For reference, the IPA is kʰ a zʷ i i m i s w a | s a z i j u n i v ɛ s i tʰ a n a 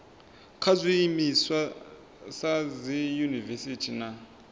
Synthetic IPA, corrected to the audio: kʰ a zʷ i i m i s w a | s a z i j u n i v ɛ s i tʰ i n a